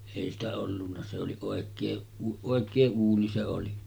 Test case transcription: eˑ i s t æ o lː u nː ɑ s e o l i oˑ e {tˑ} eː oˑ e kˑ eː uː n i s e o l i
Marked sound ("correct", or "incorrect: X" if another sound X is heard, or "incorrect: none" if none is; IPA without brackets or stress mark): incorrect: kˑ